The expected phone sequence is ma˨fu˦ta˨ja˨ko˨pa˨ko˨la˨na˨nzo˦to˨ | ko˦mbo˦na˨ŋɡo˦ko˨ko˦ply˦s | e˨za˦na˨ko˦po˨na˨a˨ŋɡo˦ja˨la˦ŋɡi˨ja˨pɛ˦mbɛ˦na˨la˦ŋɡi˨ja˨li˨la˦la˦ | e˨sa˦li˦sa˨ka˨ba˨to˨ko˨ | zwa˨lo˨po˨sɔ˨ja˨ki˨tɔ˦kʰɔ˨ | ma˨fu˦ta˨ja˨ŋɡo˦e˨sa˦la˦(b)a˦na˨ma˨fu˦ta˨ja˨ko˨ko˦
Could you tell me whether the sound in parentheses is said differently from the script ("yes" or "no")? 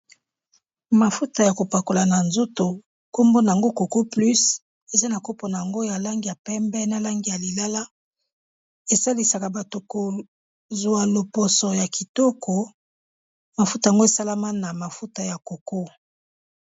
yes